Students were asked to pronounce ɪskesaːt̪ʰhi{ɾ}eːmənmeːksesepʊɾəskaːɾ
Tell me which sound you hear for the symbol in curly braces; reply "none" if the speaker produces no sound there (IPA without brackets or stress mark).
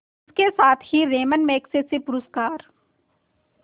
ɾ